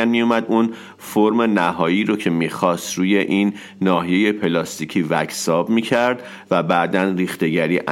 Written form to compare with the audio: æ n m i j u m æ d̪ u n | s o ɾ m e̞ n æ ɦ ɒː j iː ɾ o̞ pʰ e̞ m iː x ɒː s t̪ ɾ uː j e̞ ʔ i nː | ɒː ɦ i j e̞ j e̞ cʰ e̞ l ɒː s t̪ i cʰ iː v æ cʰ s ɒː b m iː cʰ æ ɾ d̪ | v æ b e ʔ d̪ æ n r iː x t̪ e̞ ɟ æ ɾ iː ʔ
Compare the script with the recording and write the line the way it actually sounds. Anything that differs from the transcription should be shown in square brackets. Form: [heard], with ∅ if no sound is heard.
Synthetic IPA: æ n m i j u m æ d̪ u n | [f] o ɾ m e̞ n æ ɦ ɒː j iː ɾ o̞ [cʰ] e̞ m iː x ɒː s t̪ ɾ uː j e̞ ʔ i nː | ɒː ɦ i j e̞ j e̞ [pʰ] e̞ l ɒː s t̪ i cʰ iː v æ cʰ s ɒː b m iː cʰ æ ɾ d̪ | v æ b [æ] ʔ d̪ æ n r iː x t̪ e̞ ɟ æ ɾ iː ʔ